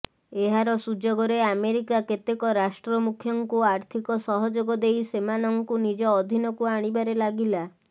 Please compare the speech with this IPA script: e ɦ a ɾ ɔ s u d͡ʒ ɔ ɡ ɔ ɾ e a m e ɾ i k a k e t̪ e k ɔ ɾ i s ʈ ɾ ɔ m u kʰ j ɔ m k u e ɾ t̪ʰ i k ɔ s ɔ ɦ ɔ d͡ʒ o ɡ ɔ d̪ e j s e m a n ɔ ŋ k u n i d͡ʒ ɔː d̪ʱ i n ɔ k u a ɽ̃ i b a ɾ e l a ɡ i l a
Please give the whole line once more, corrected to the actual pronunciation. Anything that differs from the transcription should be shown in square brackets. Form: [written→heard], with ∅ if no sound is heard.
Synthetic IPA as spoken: e ɦ a ɾ ɔ s u d͡ʒ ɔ ɡ ɔ ɾ e a m e ɾ i k a k e t̪ e k ɔ ɾ [i→a] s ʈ ɾ ɔ m u kʰ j ɔ [m→ŋ] k u [e→a] ɾ t̪ʰ i k ɔ s ɔ ɦ ɔ d͡ʒ o ɡ ɔ d̪ e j s e m a n ɔ ŋ k u n i d͡ʒ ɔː d̪ʱ i n ɔ k u a ɽ̃ i b a ɾ e l a ɡ i l a